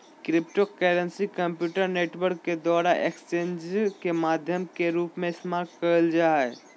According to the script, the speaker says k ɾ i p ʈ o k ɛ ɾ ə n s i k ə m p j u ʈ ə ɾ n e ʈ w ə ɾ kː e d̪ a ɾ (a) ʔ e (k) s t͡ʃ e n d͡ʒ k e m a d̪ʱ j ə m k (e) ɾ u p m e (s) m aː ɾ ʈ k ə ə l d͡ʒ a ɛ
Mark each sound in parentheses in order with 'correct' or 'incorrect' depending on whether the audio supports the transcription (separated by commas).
correct, correct, correct, correct